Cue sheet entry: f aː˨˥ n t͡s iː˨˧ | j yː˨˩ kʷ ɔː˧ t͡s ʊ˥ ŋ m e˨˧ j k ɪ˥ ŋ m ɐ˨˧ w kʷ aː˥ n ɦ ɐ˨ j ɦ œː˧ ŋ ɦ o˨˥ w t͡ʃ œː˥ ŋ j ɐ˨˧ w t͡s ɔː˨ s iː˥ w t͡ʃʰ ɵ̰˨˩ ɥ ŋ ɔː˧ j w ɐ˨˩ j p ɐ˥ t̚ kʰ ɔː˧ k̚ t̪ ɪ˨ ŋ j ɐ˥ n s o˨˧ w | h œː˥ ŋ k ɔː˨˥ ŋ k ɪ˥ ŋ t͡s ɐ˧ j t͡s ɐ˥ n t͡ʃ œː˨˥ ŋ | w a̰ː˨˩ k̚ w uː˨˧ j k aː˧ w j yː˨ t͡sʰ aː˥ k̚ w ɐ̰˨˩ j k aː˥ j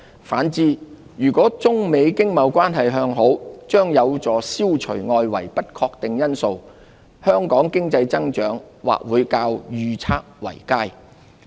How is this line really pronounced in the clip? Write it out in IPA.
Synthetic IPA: f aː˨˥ n t͡s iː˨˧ | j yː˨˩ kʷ ɔː˨˥ t͡s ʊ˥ ŋ m e˨˧ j k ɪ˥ ŋ m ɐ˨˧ w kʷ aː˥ n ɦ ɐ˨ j ɦ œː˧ ŋ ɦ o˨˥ w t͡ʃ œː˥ ŋ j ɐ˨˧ w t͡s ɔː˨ s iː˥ w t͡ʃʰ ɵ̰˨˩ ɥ ŋ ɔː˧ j w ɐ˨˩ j p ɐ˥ t̚ kʰ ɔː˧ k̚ t̪ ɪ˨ ŋ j ɐ˥ n s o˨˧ w | h œː˥ ŋ k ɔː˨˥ ŋ k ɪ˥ ŋ t͡s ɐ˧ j t͡s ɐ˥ ŋ t͡ʃ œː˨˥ ŋ | w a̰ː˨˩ k̚ w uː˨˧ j k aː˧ w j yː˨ t͡sʰ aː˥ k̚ w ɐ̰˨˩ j k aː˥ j